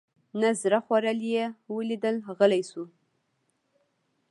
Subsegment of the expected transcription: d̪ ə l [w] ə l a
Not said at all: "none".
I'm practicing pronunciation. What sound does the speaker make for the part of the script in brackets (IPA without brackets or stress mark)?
ɣ